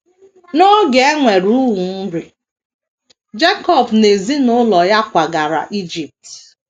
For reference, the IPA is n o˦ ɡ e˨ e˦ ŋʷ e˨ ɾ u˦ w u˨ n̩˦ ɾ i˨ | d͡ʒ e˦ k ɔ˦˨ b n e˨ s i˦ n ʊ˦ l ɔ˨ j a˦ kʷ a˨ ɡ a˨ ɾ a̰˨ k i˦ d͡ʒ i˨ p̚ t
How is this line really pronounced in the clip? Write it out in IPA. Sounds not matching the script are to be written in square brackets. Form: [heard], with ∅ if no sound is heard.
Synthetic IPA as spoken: n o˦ ɡ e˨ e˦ ŋʷ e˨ ɾ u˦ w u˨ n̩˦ ɾ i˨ | d͡ʒ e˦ k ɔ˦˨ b n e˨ [z] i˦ n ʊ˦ l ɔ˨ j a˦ kʷ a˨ ɡ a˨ ɾ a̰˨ [ʔ] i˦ d͡ʒ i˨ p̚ t